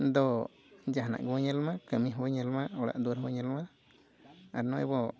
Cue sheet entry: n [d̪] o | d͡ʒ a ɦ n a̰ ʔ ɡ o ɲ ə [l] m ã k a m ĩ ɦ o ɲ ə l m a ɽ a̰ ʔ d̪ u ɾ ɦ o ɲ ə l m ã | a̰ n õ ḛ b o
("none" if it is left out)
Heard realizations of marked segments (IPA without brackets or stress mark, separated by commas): d̪, l